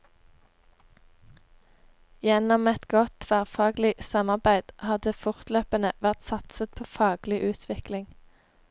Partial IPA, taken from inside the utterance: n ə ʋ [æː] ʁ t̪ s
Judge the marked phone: incorrect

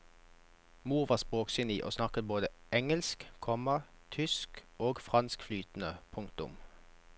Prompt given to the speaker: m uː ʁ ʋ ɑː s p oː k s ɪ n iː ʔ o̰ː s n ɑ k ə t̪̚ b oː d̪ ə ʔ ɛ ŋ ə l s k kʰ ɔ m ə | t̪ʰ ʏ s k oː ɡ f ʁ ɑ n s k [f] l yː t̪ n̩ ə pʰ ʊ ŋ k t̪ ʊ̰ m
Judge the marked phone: correct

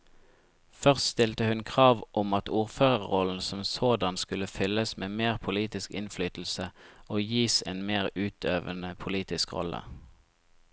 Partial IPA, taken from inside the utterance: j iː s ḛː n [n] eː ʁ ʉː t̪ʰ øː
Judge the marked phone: incorrect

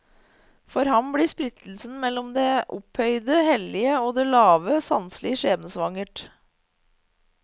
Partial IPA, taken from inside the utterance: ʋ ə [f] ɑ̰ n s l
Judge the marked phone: incorrect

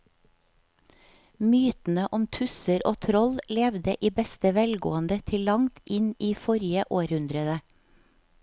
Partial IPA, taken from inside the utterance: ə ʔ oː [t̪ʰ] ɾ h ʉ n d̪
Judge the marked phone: incorrect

